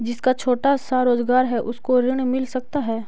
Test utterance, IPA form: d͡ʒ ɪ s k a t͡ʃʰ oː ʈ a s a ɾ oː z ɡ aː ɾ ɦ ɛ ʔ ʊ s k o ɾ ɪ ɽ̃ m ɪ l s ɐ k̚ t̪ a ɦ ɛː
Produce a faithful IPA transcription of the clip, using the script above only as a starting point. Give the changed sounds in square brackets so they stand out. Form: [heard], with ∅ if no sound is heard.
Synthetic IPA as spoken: d͡ʒ ɪ s k a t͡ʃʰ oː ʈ a s a ɾ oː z ɡ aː ɾ ɦ ɛ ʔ ʊ s k o ɾ ɪ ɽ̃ m ɪ l s ɐ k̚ t̪ a ɦ ɛː